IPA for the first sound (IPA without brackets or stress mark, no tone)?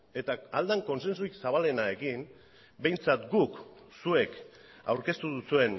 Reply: e̞